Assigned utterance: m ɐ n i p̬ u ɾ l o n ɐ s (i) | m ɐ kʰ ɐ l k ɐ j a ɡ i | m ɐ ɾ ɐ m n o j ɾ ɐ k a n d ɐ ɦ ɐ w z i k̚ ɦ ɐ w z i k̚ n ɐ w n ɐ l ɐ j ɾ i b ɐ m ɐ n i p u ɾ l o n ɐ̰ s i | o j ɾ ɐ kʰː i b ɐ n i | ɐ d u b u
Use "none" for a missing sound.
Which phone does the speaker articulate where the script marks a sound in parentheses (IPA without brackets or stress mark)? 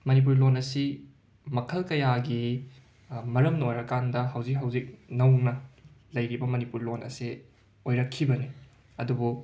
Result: i